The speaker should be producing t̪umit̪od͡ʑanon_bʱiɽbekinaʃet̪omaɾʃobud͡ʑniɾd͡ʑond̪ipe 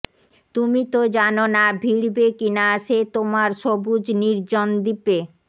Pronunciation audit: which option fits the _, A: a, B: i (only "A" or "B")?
A